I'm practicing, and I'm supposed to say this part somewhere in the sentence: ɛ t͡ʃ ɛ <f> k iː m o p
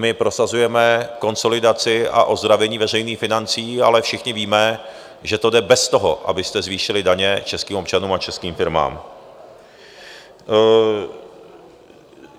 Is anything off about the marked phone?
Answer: yes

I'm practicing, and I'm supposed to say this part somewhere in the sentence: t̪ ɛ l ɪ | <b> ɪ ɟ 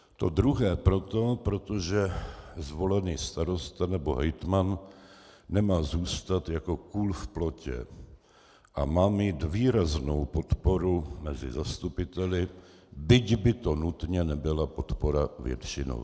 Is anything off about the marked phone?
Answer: no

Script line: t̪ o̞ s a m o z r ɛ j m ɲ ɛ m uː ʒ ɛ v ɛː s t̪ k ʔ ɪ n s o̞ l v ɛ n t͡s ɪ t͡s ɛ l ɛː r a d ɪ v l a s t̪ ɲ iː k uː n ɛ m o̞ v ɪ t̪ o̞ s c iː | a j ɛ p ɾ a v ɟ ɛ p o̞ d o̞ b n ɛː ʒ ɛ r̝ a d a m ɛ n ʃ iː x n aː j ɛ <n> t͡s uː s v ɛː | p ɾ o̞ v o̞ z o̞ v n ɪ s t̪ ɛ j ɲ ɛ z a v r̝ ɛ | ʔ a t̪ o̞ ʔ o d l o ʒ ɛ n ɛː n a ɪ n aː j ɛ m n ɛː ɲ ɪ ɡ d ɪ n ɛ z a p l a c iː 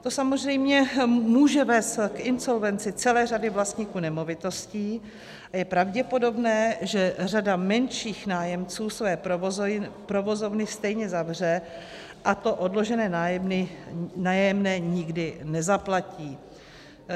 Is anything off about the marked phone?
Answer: yes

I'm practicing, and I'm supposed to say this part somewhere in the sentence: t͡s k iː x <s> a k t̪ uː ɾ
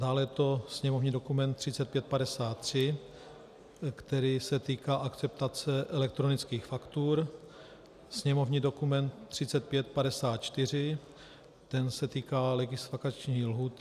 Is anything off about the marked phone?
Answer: yes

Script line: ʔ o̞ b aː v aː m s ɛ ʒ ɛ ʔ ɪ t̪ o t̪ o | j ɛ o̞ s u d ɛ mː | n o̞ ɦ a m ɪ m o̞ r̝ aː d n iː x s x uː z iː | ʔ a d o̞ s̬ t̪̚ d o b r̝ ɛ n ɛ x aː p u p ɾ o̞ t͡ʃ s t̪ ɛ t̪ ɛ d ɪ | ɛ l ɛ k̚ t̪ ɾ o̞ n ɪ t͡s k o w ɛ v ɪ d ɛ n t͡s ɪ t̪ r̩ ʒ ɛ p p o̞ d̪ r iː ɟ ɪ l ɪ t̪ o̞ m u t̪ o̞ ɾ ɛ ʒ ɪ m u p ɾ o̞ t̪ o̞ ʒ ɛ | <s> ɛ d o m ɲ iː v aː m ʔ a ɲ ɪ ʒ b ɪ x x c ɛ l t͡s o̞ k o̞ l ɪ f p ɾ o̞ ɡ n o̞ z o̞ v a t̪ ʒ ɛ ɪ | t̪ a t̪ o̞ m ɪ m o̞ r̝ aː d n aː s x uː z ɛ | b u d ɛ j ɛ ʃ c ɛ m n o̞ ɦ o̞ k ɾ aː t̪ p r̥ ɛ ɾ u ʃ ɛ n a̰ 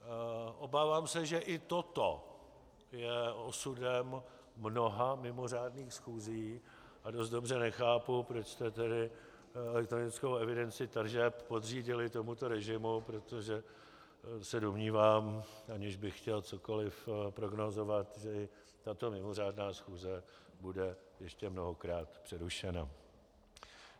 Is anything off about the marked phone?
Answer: no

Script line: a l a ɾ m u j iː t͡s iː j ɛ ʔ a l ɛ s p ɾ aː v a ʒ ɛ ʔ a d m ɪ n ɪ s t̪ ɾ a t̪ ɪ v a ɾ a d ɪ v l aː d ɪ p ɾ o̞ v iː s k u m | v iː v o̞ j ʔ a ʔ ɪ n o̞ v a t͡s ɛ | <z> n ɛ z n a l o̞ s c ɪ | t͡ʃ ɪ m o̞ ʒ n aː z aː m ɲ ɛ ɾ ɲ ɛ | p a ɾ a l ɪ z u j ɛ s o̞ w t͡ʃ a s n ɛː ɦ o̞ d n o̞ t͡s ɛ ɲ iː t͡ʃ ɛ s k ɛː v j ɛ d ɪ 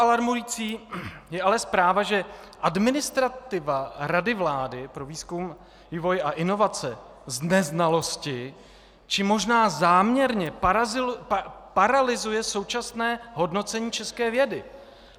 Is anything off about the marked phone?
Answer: no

